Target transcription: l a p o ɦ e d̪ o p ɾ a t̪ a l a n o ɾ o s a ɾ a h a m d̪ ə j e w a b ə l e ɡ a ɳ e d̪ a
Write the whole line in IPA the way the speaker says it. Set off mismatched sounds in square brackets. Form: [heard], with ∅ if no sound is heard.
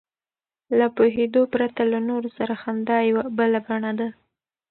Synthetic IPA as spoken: l a p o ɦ e d̪ o p ɾ a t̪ a l a n o ɾ o s a ɾ a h a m d̪ [ɑ] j [a] w a b ə l [a] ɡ a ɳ [a] d̪ a